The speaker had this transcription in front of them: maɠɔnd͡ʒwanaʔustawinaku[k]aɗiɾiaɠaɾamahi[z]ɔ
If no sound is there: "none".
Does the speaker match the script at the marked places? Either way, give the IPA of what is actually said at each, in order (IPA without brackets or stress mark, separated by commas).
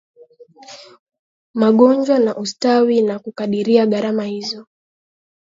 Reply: k, z